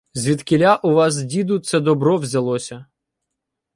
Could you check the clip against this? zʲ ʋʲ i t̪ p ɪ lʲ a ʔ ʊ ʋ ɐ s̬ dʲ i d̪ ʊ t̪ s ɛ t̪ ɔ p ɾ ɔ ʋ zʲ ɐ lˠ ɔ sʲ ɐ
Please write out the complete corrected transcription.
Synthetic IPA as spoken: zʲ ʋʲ i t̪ k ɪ lʲ a ʔ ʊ ʋ ɑ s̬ dʲ i d̪ ʊ t̪ s ɛ d̪ ɔ b ɾ ɔ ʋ zʲ ɐ lˠ ɔ sʲ ɐ